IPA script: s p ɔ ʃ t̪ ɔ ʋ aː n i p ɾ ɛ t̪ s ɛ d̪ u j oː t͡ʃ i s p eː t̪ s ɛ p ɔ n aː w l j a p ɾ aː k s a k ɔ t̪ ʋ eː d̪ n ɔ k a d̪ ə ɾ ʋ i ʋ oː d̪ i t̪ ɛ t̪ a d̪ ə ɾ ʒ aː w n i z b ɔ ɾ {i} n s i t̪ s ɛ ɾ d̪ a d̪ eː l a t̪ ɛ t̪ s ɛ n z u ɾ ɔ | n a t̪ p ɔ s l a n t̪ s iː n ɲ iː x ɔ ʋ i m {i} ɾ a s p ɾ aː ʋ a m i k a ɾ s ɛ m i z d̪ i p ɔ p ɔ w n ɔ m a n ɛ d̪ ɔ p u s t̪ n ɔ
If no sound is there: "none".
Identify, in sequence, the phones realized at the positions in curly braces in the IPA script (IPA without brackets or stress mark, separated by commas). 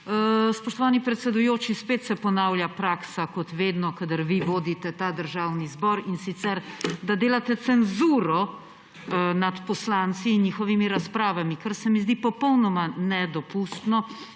i, i